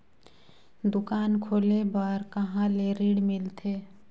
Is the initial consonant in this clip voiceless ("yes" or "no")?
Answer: no